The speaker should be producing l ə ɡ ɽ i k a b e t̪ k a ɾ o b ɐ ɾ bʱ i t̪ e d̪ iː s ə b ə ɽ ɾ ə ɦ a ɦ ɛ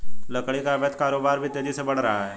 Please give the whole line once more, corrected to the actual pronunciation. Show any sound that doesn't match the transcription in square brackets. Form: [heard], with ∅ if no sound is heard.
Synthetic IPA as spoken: l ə [k] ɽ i k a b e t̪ k a ɾ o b [a] ɾ bʱ i t̪ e d̪ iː s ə b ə ɽ ɾ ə ɦ a ɦ ɛ

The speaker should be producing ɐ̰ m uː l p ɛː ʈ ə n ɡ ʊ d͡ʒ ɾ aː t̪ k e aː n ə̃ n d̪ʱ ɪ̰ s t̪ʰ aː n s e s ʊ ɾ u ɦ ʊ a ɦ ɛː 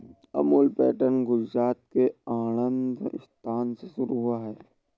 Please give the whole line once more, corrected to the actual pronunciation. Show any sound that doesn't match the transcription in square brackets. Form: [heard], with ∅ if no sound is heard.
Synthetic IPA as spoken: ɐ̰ m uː l p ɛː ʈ ə n ɡ ʊ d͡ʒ ɾ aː t̪ k e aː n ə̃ n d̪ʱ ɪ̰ s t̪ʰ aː n s e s ʊ ɾ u ɦ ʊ a ɦ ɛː

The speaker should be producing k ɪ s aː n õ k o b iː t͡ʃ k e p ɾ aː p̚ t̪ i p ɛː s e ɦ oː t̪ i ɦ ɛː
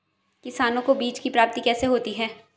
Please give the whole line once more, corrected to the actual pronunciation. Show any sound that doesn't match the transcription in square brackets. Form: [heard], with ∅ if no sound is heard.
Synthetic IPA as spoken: k ɪ s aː n õ k o b iː t͡ʃ k [i] p ɾ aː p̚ t̪ i [k] ɛː s e ɦ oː t̪ i ɦ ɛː

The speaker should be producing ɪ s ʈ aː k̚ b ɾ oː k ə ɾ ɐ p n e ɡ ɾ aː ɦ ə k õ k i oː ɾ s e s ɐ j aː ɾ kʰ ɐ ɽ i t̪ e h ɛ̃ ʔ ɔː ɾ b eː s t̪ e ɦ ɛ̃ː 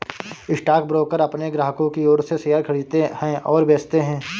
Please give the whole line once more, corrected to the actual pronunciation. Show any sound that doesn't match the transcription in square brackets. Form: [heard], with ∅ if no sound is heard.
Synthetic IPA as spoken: ɪ s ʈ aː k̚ b ɾ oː k ə ɾ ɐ p n e ɡ ɾ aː ɦ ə k õ k i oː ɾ s e s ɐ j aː ɾ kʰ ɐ ɽ i t̪ e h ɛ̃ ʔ ɔː ɾ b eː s t̪ e ɦ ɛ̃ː

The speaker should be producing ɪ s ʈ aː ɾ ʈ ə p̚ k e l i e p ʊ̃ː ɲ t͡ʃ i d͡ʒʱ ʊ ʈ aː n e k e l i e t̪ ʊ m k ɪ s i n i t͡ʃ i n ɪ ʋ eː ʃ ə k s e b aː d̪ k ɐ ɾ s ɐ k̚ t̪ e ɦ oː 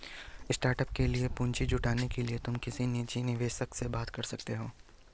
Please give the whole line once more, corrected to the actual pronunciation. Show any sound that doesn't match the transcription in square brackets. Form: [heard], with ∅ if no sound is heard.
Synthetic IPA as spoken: ɪ s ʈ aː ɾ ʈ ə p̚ k e l i e p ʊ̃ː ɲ t͡ʃ i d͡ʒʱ ʊ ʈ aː n e k e l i e t̪ ʊ m k ɪ s i n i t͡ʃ i n ɪ ʋ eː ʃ ə k s e b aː [t̪] k ɐ ɾ s ɐ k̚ t̪ e ɦ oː

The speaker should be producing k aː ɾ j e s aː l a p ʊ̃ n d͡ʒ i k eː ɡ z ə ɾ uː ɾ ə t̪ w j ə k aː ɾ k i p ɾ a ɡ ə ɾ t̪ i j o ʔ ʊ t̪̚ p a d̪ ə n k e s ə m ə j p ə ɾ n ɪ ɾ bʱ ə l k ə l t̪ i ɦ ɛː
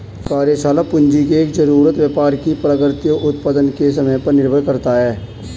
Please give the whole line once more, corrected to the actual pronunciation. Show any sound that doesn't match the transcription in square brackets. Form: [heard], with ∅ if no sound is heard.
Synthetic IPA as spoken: k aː ɾ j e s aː l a p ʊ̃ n d͡ʒ i k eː [k] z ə ɾ uː ɾ ə t̪ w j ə [p] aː ɾ k i p ɾ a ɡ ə ɾ t̪ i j o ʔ ʊ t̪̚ p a d̪ ə n k e s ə m ə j p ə ɾ n ɪ ɾ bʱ ə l k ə [ɾ] t̪ [a] ɦ ɛː

